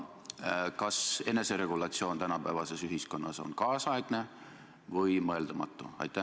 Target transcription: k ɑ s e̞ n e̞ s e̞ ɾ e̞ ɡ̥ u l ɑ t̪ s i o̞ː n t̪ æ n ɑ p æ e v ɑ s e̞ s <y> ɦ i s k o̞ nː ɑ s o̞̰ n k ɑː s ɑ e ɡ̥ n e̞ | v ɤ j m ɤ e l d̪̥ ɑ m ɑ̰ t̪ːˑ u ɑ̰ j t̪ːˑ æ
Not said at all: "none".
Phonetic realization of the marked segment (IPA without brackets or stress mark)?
y